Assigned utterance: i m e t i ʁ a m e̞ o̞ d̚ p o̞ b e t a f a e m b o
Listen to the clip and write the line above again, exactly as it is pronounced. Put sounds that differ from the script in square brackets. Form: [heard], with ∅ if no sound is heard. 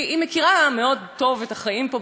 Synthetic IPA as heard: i m e [k] i ʁ a m e̞ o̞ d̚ [t] o̞ [v] e t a [χ] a [i] m [p] o